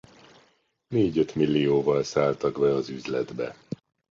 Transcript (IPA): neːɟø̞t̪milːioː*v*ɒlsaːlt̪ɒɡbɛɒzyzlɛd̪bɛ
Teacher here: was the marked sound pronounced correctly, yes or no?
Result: yes